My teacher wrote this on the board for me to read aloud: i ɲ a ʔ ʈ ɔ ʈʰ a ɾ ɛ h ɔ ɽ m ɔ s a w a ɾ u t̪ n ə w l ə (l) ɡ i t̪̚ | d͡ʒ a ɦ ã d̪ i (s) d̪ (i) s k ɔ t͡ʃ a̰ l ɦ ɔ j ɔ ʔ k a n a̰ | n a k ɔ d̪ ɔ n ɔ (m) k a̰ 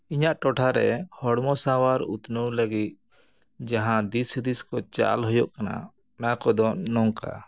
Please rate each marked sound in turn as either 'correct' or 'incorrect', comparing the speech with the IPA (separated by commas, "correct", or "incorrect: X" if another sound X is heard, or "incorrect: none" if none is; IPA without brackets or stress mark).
incorrect: none, correct, correct, incorrect: ŋ